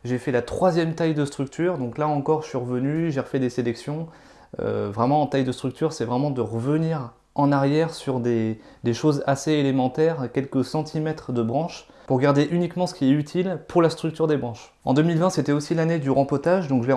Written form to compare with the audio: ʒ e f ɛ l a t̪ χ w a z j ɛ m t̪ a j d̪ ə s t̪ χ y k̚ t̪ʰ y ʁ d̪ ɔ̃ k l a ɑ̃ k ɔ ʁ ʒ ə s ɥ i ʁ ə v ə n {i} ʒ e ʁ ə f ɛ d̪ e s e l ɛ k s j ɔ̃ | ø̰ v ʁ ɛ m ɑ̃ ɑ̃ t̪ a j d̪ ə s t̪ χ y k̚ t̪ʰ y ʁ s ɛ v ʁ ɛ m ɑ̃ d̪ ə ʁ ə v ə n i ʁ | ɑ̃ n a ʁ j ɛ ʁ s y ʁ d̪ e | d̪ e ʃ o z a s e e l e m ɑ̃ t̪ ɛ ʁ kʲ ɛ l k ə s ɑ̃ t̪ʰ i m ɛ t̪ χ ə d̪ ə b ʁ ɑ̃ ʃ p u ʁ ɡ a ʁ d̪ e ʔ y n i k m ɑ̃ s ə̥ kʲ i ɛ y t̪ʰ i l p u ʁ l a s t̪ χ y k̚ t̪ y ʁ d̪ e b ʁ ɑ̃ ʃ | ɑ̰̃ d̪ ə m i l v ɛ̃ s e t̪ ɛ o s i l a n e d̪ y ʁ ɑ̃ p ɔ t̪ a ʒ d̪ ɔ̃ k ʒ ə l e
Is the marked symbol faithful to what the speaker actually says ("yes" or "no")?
no